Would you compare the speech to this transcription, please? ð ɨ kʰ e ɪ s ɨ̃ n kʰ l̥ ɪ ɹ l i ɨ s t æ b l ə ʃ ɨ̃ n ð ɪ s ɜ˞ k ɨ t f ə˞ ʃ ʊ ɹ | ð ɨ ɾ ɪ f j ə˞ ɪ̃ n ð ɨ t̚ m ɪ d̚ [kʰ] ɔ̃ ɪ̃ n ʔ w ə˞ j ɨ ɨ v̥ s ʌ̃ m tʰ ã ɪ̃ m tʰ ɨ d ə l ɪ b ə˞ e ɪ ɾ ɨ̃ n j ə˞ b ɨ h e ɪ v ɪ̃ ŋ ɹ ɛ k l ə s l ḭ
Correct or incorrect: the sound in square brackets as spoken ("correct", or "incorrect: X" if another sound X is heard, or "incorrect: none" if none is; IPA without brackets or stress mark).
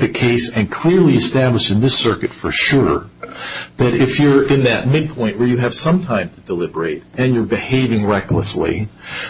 incorrect: pʰ